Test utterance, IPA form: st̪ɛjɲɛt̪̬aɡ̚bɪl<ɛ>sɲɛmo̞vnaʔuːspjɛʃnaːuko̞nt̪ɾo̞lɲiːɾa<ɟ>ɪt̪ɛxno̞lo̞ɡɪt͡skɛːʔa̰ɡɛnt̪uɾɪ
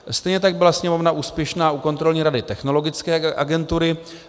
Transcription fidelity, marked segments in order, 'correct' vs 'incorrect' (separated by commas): incorrect, incorrect